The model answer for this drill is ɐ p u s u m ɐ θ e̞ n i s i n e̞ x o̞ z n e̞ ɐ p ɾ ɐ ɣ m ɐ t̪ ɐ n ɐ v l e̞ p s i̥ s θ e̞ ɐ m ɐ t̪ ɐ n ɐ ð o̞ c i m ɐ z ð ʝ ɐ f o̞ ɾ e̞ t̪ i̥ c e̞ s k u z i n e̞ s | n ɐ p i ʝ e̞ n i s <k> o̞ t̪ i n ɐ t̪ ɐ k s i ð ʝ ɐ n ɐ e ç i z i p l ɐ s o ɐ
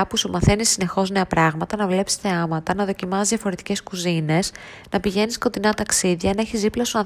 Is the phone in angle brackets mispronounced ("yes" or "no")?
no